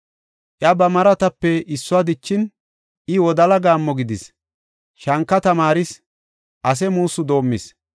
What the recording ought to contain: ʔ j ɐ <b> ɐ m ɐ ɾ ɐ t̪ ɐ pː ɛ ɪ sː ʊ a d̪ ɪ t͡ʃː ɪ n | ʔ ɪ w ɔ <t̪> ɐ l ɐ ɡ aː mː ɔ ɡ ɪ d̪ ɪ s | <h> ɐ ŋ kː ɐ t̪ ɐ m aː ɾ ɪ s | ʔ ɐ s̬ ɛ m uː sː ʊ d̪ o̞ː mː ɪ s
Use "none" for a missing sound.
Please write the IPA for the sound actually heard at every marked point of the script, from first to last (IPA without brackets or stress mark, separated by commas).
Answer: b, d̪, ʃ